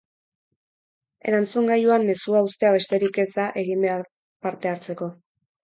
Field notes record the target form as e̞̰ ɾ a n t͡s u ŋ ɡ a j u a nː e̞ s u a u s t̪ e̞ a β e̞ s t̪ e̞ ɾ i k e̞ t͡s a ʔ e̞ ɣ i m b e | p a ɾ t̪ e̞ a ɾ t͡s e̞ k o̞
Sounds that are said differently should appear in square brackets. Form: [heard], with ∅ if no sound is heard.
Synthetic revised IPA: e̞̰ ɾ a n t͡s u ŋ ɡ a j u a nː e̞ s u a u s t̪ e̞ a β e̞ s t̪ e̞ ɾ i k e̞ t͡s a ʔ e̞ ɣ i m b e | p a ɾ t̪ e̞ a ɾ t͡s e̞ k o̞